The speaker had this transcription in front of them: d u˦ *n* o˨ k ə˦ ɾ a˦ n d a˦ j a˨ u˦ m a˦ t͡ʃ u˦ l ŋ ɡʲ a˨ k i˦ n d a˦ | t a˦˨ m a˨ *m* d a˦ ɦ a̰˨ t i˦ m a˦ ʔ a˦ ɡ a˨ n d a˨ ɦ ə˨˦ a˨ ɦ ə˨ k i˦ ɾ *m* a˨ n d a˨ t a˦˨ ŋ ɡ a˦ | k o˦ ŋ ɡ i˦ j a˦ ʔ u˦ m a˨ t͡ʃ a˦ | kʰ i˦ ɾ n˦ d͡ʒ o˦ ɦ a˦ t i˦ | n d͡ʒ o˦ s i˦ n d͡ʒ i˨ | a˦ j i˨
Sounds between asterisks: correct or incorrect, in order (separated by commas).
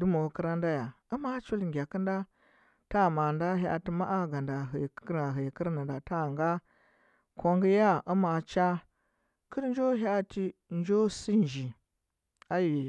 incorrect, incorrect, incorrect